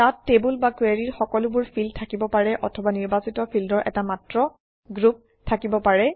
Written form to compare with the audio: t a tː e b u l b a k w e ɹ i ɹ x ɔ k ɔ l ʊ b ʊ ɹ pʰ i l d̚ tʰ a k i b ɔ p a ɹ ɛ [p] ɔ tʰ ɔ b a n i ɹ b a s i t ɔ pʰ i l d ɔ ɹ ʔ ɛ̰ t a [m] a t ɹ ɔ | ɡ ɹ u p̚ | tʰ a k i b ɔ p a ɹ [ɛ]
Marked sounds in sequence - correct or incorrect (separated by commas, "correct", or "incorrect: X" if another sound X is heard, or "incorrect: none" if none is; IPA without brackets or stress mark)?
incorrect: ʔ, correct, correct